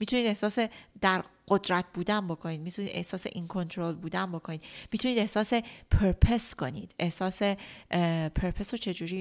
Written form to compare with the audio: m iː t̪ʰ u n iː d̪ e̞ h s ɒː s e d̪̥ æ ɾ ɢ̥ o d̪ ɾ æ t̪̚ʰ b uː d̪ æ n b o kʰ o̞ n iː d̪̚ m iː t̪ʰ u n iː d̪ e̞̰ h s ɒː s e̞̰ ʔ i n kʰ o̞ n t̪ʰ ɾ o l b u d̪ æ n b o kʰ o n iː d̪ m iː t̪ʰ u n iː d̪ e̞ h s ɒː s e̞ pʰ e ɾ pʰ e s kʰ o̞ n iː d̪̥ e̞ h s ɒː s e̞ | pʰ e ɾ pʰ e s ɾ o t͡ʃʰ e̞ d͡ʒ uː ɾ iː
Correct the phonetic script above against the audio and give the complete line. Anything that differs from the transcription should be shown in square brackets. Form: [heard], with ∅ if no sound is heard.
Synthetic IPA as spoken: m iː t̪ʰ u n iː d̪ e̞ h s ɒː s e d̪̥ æ ɾ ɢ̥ o d̪ ɾ æ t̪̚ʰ b uː d̪ æ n b o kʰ o̞ n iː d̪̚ m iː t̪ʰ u n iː d̪ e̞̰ h s ɒː s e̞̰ ʔ i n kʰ o̞ n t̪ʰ ɾ o l b [uː] d̪ æ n b o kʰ o n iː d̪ m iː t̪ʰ u n iː d̪ e̞ h s ɒː s e̞ pʰ e ɾ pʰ e s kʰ o̞ n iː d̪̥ e̞ h s ɒː s e̞ | pʰ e ɾ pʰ e s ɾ o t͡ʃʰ e̞ d͡ʒ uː ɾ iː